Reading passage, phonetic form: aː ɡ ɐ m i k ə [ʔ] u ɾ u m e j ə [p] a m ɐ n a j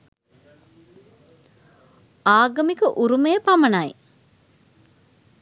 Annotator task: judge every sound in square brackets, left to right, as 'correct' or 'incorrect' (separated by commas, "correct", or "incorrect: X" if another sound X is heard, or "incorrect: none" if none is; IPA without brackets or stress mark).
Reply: correct, correct